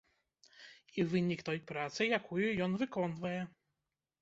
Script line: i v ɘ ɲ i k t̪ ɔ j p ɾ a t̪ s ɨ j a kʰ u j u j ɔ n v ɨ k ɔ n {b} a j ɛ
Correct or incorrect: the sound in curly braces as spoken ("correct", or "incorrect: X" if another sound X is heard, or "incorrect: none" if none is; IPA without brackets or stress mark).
incorrect: v